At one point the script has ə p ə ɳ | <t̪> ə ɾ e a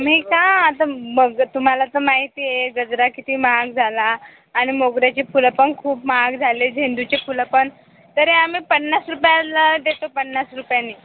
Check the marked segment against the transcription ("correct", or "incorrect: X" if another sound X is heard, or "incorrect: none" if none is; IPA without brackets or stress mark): correct